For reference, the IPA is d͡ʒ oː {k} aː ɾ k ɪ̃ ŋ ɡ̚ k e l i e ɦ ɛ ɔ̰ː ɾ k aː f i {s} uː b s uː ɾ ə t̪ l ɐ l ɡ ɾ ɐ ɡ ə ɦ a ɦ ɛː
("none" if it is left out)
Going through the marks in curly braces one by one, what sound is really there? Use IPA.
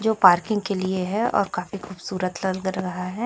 p, x

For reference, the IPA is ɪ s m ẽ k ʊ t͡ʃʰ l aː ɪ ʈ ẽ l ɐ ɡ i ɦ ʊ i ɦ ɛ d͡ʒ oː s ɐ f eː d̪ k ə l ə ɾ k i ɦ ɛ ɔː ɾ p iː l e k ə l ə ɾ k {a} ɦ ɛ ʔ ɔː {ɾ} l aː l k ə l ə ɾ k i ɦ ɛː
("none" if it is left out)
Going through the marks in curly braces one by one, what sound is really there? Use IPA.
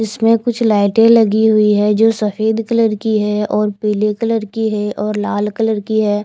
i, ɾ

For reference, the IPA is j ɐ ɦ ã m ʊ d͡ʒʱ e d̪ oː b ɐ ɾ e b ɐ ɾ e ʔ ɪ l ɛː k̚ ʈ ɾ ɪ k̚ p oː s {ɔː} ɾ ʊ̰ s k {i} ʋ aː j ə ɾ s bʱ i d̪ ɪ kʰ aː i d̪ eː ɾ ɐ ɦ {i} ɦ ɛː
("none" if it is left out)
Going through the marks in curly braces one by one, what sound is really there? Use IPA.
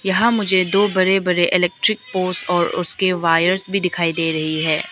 ɔː, e, i

